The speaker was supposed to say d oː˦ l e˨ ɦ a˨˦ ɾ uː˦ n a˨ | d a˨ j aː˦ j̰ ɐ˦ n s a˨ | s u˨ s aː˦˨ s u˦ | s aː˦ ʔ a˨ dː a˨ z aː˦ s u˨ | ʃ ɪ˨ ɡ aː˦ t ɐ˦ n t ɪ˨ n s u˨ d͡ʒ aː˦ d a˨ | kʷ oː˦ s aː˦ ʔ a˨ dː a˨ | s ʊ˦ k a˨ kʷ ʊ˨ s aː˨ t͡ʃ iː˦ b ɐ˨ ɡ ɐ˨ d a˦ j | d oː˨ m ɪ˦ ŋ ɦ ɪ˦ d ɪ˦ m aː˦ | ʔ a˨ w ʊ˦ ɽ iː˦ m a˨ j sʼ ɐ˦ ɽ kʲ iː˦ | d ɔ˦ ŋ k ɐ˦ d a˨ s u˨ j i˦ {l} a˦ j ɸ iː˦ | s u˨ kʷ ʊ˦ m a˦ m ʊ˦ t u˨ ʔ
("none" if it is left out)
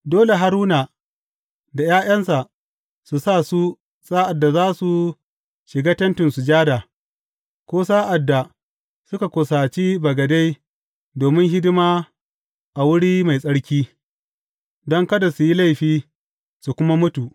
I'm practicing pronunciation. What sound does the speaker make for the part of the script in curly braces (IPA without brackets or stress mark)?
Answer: l